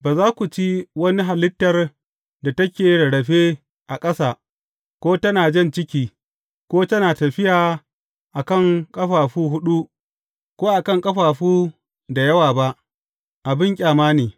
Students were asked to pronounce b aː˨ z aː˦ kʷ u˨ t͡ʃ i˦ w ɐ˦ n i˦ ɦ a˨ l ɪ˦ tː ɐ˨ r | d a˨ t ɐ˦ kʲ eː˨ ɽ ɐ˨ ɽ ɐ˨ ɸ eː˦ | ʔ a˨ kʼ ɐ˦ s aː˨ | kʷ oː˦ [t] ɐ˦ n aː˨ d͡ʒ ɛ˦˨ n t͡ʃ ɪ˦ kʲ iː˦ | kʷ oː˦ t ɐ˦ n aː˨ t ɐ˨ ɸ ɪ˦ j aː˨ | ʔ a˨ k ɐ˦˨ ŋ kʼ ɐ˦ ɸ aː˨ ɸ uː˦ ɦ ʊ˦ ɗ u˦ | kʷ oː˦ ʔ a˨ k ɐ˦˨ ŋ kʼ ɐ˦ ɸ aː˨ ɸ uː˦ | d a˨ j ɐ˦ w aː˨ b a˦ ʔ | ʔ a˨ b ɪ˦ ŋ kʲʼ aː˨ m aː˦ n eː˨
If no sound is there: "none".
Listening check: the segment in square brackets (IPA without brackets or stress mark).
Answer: t